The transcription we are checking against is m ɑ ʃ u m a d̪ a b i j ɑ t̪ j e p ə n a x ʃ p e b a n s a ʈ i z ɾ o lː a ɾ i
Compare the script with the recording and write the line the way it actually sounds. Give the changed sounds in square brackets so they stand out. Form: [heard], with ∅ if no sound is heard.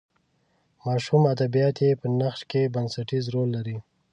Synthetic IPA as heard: m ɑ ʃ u m a d̪ a b i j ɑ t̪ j e p ə n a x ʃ [k] e b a n s a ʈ i z ɾ o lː a ɾ i